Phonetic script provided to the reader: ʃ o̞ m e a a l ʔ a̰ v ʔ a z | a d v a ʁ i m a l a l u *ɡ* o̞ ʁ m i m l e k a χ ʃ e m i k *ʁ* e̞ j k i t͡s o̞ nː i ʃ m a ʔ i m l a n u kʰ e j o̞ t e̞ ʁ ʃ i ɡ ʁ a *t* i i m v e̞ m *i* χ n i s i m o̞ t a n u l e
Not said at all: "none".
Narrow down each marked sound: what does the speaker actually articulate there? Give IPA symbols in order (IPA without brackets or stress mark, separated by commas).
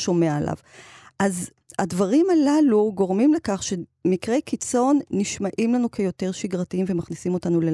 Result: ɡ, ʁ, t, a